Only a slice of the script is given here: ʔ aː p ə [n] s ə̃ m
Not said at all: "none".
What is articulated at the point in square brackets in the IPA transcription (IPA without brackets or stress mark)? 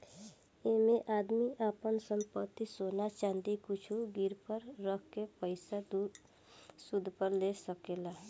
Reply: n